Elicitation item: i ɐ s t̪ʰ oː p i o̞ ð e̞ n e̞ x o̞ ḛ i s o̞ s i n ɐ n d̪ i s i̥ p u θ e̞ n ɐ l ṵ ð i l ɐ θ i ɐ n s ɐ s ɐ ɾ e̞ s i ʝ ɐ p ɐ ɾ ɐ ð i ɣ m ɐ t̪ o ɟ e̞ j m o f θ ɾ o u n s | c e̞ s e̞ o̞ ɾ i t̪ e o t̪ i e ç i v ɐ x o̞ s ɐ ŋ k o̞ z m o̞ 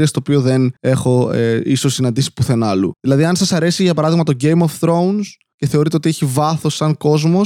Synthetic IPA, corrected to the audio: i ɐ s t̪ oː p i o̞ ð e̞ n e̞ x o̞ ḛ i s o̞ s i n ɐ n d̪ i s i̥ p u θ e̞ n ɐ l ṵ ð i l ɐ ð i ɐ n s ɐ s ɐ ɾ e̞ s i ʝ ɐ p ɐ ɾ ɐ ð i ɣ m ɐ t̪ o ɟ e̞ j m o f θ ɾ o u n s | c e̞ θ e̞ o̞ ɾ i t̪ e o t̪ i e ç i v ɐ θ o̞ s ɐ ŋ k o̞ z m o̞